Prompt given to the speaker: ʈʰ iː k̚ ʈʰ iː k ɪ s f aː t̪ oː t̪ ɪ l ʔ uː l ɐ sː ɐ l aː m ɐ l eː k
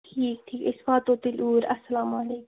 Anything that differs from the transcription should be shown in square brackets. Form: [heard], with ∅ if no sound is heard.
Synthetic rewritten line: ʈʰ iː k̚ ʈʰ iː k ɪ s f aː t̪ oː t̪ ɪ l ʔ uː [ɾ] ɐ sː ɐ l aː m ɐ l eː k